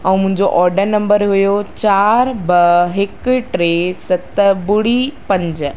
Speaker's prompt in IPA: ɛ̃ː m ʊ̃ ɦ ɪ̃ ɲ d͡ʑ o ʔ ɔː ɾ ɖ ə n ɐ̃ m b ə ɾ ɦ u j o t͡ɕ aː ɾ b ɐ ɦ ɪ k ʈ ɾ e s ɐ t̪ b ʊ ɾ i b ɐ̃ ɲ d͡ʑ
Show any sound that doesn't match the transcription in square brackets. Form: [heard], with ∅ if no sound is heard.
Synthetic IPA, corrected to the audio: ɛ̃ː m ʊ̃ ɦ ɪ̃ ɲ d͡ʑ o ʔ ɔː ɾ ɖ ə n ɐ̃ m b ə ɾ ɦ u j o t͡ɕ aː ɾ b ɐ ɦ ɪ k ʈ ɾ e s ɐ t̪ b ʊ [ɽ] i [p] ɐ̃ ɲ d͡ʑ